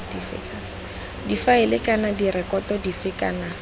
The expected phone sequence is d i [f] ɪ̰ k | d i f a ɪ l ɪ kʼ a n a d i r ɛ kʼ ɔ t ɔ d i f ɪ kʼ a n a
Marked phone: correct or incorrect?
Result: correct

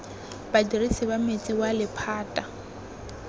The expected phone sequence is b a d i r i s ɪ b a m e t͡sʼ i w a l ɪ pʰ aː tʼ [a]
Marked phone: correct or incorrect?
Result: correct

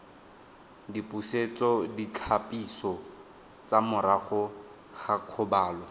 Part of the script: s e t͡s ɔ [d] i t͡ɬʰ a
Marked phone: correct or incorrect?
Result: correct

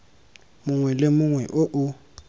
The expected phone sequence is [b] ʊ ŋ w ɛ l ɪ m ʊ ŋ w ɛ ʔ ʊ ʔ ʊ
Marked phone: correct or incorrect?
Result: incorrect: m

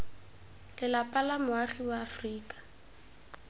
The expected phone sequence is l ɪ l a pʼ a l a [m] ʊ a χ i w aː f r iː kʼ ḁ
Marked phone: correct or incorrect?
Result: correct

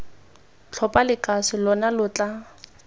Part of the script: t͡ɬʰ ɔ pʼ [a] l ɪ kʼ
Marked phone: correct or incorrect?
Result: correct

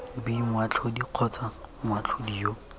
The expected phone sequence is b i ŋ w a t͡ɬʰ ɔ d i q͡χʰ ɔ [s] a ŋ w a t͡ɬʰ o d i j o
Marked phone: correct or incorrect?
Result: incorrect: t͡s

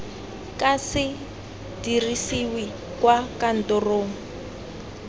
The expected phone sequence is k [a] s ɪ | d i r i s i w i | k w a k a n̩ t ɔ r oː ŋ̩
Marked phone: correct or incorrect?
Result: correct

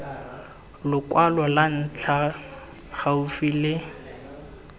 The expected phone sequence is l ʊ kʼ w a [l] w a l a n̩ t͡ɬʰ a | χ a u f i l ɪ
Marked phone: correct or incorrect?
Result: correct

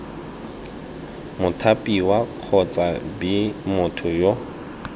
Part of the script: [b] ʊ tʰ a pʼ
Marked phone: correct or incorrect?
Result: incorrect: m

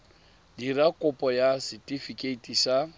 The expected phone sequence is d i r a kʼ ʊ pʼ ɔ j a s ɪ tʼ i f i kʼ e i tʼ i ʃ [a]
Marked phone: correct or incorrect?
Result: correct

